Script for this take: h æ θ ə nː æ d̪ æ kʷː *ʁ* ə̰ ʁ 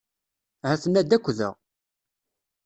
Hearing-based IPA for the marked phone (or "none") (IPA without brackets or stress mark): ð